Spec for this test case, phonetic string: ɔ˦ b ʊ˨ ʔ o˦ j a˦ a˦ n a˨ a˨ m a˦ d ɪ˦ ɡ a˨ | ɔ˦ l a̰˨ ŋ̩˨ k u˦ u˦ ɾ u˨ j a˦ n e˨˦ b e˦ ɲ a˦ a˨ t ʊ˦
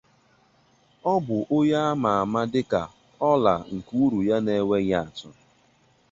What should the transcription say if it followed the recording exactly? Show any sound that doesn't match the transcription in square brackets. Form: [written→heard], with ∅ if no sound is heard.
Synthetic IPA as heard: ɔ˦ b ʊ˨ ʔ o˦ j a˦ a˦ [n→m] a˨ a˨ m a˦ d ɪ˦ [ɡ→k] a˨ | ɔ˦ l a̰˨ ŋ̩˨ k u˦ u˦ ɾ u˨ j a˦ n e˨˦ [b→w] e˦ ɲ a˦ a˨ t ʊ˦